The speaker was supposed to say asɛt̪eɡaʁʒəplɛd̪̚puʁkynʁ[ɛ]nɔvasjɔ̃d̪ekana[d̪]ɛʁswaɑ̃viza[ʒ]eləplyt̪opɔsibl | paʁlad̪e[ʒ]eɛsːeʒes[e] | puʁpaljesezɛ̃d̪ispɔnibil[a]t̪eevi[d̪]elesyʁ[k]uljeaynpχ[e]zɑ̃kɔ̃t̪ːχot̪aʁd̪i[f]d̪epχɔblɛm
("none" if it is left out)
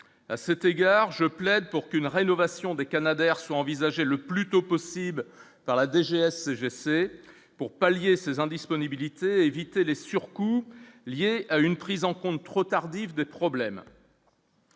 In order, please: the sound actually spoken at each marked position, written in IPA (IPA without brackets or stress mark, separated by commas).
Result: e, d̪, ʒ, ʒ, e, i, t̪, k, i, v